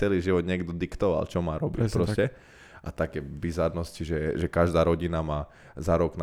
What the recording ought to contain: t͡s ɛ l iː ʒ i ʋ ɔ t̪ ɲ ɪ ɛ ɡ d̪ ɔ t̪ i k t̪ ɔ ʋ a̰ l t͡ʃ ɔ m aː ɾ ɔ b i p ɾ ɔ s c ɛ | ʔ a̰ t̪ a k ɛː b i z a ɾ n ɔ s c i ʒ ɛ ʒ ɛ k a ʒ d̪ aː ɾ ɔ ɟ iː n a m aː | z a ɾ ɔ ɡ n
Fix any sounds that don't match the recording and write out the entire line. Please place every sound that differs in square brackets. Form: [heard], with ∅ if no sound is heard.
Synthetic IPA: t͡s ɛ l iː ʒ i ʋ ɔ [d̪] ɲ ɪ ɛ ɡ d̪ ɔ [d̪] i k t̪ ɔ ʋ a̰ l t͡ʃ ɔ m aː ɾ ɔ b i p ɾ ɔ s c ɛ | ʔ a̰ t̪ a k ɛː b i z a ɾ n ɔ s c i ʒ ɛ ʒ ɛ k a ʒ d̪ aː ɾ ɔ ɟ [i] n a m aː | z a ɾ ɔ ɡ n